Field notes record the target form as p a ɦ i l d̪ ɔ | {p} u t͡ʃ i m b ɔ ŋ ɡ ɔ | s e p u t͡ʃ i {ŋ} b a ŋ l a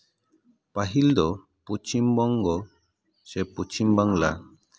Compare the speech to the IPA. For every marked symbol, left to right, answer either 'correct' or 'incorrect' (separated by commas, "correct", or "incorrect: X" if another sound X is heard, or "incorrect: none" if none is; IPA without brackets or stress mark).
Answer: correct, incorrect: m